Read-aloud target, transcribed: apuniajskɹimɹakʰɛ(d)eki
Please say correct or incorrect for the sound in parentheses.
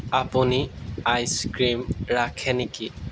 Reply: incorrect